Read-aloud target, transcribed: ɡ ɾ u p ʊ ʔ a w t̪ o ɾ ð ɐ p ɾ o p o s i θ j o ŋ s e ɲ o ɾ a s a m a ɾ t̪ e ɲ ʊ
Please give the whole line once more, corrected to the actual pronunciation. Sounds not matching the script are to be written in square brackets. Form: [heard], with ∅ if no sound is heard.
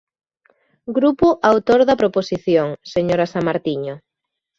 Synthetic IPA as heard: ɡ ɾ u p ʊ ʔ a w t̪ o ɾ ð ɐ p ɾ o p o s i θ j o ŋ s e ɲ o ɾ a s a m a ɾ t̪ [i] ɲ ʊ

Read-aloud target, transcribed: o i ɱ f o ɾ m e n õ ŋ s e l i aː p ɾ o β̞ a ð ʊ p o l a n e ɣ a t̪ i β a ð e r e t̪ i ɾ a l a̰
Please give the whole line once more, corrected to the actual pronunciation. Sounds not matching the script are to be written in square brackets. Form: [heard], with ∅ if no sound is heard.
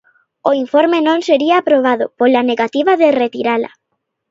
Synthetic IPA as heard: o i ɱ f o ɾ m e n õ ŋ s e [ɾ] i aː p ɾ o β̞ a ð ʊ p o l a n e ɣ a t̪ i β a ð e r e t̪ i ɾ a l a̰

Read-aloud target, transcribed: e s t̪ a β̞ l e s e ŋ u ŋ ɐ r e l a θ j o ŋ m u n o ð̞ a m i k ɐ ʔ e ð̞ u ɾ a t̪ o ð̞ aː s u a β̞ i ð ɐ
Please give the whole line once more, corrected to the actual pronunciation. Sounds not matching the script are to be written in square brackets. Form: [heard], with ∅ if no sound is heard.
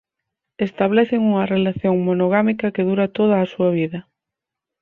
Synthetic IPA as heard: e s t̪ a β̞ l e [θ] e ŋ u ŋ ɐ r e l a θ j o ŋ m [o] n o [ɣ̞] a m i k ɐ [k] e ð̞ u ɾ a t̪ o ð̞ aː s u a β̞ i ð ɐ

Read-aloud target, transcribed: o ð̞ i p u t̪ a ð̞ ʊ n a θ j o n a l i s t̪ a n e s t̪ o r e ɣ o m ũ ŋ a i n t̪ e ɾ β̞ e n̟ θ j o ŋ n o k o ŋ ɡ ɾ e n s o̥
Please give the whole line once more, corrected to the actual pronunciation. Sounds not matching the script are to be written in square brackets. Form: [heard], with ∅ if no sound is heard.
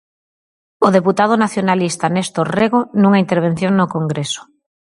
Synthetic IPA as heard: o ð̞ [e] p u t̪ a ð̞ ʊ n a θ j o n a l i s t̪ a n e s t̪ o r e ɣ o [n] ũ ŋ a i n t̪ e ɾ β̞ e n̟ θ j o ŋ n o k o ŋ ɡ ɾ e [∅] s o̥

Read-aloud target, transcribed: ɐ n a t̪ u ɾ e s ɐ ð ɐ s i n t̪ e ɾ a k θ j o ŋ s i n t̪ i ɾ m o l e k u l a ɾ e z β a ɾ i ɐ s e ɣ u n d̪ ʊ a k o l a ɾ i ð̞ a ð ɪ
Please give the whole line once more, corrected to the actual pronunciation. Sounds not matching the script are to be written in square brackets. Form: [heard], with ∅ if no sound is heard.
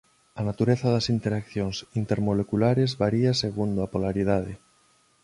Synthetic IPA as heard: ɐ n a t̪ u ɾ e [θ] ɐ ð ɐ s i n t̪ e ɾ a k θ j o ŋ s i n t̪ [e] ɾ m o l e k u l a ɾ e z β a ɾ i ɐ s e ɣ u n d̪ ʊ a [p] o l a ɾ i ð̞ a ð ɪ

